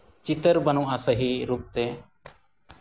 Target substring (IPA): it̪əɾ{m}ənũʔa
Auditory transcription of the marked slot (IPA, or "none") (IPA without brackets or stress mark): b